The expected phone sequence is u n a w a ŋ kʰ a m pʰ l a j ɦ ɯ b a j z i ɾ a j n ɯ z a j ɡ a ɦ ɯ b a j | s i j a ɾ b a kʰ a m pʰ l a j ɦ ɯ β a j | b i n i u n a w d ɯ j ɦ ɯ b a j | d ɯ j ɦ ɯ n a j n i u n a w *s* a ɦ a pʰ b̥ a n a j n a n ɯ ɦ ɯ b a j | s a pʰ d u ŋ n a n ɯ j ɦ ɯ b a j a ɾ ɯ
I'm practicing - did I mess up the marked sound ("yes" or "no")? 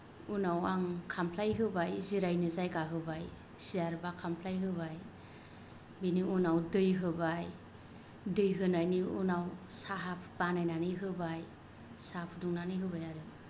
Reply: no